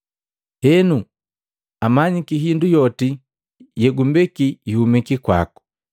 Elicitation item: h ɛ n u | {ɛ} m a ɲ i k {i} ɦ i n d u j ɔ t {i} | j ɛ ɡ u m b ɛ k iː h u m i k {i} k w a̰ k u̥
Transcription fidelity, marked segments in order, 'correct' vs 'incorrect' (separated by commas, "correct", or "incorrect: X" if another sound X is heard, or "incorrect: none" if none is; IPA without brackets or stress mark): incorrect: a, correct, correct, correct